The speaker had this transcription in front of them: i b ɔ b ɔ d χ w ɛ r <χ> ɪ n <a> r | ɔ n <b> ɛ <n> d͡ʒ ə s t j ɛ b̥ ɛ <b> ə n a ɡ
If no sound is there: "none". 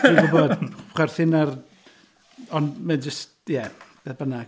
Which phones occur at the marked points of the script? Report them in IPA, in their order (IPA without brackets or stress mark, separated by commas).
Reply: θ, a, m, n, b